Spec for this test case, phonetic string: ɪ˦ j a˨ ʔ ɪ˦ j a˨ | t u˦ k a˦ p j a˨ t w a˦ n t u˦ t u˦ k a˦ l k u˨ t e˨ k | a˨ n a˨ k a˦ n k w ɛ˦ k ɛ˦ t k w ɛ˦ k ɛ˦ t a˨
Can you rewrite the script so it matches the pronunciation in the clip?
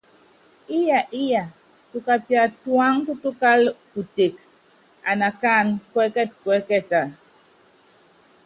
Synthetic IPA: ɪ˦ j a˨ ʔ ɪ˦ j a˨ | t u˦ k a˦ p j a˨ t w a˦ ŋ t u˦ t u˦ k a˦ l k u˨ t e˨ k | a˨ n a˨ k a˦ n k w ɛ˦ k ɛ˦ t k w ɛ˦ k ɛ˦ t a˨

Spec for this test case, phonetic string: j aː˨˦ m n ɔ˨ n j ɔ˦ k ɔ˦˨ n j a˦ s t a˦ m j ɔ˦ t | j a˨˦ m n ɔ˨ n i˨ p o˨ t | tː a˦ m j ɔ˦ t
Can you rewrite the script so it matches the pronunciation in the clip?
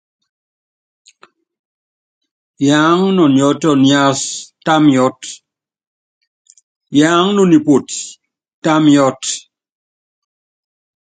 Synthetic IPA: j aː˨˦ ŋ n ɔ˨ n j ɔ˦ t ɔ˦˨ n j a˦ s t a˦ m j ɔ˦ t | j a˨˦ ŋ n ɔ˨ n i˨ p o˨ t | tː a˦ m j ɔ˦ t

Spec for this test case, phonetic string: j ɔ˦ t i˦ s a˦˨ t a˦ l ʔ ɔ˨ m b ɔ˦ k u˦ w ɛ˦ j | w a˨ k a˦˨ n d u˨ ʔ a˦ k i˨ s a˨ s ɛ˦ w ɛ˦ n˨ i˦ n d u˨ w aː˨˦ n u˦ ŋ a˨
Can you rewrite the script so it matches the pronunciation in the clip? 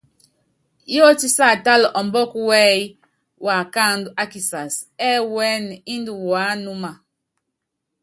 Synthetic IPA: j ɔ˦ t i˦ s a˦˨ t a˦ l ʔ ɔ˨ m b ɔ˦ k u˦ w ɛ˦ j | w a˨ k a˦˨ n d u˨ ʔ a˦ k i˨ s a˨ s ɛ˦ w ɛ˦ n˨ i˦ n d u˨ w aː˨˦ n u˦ m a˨

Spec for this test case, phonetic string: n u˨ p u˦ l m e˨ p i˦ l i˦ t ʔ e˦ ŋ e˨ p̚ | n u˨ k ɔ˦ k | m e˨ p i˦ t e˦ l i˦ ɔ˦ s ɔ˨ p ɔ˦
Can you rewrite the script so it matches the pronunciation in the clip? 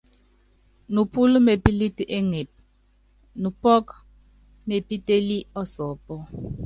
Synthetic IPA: n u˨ p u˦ l m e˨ p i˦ l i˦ t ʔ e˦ ŋ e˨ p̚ | n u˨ p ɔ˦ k | m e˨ p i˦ t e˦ l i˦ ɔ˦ s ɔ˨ p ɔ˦

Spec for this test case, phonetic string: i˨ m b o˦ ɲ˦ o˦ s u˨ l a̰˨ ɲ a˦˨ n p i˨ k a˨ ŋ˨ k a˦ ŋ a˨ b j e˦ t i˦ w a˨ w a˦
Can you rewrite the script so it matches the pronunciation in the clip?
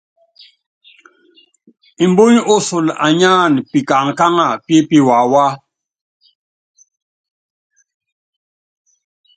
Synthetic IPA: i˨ m b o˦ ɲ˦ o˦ s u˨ l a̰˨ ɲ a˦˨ n p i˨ k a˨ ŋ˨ k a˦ ŋ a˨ p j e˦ p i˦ w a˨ w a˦

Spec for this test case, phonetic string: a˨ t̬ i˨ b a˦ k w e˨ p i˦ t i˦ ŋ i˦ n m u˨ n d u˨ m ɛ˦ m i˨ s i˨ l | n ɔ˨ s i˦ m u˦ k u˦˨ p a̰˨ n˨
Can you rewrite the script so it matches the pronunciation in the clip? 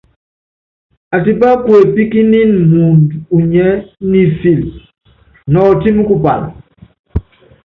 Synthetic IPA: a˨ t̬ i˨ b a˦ k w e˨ p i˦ k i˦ n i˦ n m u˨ n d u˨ ɲ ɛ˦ n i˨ f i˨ l | n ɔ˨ t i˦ m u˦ k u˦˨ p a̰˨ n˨

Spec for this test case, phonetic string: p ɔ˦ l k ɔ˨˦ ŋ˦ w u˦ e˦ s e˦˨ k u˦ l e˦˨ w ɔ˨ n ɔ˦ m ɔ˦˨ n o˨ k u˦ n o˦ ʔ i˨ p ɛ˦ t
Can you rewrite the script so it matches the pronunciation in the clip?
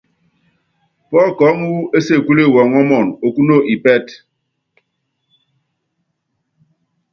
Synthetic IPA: p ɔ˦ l k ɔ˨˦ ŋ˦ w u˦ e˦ s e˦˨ k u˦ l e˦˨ w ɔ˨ ŋ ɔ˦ m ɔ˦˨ n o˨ k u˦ n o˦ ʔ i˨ p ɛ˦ t

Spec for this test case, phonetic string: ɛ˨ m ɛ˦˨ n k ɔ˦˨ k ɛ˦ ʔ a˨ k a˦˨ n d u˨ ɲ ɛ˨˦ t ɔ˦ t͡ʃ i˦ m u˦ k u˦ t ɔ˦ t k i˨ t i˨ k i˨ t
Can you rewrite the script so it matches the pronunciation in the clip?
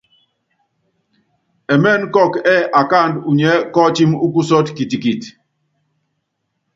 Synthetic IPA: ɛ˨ m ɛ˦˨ n k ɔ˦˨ k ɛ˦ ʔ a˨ k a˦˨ n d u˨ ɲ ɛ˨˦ k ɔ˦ t͡ʃ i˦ m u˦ k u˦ s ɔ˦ t k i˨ t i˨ k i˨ t

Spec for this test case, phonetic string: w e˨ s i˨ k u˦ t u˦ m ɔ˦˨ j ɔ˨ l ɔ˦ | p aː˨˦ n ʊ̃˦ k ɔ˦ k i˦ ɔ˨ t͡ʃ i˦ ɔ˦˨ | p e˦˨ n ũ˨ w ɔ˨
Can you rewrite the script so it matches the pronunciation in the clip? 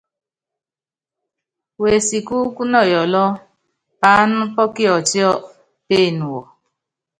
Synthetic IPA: w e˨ s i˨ k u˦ k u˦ n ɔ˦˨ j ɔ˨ l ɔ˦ | p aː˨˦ n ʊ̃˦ p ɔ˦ k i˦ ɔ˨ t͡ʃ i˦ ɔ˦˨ | p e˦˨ n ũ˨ w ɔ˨

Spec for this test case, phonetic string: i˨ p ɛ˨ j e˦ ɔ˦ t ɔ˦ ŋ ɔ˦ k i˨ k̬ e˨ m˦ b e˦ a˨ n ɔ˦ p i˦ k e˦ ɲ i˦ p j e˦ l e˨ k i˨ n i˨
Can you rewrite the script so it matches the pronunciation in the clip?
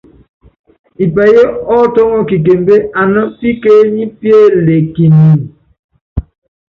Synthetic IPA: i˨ p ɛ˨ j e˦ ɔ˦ t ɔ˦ ŋ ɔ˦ k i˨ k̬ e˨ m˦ b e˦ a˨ n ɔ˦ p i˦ k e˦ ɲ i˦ p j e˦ l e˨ k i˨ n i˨

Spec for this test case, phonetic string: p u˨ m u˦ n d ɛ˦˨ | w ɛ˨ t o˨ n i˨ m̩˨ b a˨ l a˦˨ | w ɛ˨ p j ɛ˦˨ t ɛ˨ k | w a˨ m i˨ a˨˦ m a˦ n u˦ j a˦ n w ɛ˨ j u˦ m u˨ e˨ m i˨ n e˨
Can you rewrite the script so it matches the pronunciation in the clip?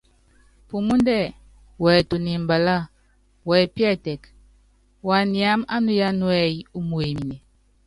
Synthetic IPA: p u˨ m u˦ n d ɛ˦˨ | w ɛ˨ t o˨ n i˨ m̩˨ b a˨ l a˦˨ | w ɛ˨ p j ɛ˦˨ t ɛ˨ k | w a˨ n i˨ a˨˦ m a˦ n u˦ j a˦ n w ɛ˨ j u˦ m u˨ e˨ m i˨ n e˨

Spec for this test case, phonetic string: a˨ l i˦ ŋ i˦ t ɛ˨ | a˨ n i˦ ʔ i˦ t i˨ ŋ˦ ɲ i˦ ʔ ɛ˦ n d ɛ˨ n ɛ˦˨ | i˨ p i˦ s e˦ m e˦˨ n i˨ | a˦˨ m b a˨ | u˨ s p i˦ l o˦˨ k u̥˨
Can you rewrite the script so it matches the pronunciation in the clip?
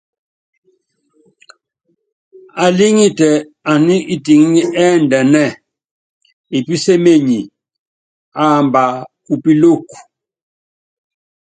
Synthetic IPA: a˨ l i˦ ŋ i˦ t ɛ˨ | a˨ n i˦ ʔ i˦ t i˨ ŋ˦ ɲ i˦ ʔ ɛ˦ n d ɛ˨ n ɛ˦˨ | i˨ p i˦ s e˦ m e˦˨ ɲ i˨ | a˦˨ m b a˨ | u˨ p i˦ l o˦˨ k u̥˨

